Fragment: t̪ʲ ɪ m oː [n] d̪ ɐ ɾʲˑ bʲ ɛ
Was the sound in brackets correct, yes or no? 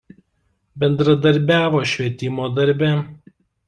no